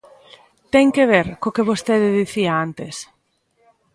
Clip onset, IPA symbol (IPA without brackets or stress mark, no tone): t̪